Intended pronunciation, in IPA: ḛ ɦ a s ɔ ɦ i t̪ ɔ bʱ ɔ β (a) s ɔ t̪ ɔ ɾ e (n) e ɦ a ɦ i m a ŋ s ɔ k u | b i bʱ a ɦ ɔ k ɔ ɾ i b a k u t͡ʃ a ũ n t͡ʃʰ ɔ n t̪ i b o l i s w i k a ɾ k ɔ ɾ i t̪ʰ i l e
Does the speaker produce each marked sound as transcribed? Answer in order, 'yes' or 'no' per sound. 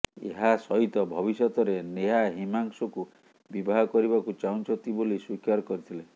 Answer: no, yes

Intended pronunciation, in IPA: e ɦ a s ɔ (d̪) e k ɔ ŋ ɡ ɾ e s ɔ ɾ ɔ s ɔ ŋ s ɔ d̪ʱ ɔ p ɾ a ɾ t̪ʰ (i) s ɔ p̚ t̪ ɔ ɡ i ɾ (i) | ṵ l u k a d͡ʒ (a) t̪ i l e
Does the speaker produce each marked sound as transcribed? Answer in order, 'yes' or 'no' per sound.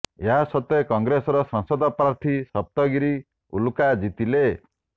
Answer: no, yes, yes, no

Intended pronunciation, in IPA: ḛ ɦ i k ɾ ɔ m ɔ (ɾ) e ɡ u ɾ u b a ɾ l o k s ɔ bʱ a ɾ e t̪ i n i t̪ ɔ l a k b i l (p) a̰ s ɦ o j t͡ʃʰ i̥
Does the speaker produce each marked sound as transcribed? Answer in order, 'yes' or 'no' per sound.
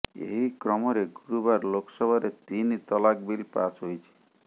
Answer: yes, yes

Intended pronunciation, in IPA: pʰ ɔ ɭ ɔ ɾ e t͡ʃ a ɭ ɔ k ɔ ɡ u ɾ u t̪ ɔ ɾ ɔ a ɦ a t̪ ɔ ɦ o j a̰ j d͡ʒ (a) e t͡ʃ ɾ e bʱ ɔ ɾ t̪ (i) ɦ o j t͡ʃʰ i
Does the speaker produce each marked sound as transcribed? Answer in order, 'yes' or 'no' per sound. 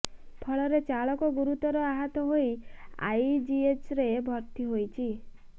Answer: no, yes

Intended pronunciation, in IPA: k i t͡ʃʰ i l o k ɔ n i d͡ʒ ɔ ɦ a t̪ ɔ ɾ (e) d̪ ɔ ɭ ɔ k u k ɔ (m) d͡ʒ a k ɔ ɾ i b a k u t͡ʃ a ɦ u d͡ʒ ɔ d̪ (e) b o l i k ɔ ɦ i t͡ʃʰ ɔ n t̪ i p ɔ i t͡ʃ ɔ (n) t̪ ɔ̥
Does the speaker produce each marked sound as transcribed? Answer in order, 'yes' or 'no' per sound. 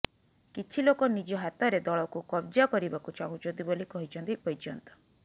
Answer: yes, no, no, yes

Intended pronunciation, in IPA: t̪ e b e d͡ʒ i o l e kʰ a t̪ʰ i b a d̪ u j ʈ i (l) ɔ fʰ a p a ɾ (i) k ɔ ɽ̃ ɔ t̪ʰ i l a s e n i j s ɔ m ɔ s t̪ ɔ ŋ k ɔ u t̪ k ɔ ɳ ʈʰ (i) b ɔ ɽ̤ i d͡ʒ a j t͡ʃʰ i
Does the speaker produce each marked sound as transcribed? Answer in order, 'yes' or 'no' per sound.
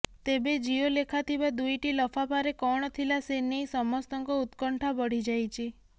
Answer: yes, no, no

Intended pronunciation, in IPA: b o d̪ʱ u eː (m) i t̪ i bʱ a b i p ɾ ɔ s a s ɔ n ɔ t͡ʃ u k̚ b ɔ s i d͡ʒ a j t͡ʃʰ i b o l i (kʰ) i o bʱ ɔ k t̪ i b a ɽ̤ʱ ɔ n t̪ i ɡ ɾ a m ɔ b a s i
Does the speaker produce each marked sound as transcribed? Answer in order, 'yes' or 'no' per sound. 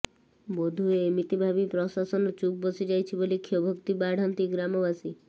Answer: yes, yes

